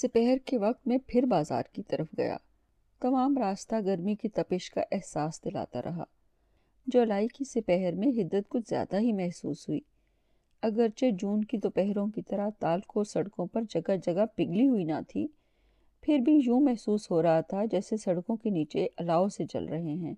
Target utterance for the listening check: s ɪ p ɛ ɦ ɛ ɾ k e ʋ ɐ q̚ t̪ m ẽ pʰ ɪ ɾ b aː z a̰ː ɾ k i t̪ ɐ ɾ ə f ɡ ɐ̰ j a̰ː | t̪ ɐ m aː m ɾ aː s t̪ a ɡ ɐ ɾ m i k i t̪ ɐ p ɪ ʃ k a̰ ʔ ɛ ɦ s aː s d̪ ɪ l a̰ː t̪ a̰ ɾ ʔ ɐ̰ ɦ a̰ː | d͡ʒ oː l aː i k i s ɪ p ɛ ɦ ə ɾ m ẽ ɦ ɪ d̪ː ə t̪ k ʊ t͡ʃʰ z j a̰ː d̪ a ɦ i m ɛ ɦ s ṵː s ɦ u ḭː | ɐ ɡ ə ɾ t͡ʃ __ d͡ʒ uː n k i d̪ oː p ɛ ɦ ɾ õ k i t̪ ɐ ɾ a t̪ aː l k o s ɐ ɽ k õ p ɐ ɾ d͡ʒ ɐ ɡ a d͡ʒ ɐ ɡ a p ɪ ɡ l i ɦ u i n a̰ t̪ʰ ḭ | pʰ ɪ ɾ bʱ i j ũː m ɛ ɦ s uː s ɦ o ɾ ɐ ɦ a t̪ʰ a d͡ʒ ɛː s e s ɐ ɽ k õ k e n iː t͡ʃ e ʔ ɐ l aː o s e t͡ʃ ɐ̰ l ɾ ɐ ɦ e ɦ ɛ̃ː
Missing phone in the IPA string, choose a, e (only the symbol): e